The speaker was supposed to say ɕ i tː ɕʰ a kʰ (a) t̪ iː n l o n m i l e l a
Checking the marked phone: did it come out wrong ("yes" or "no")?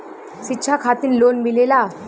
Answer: no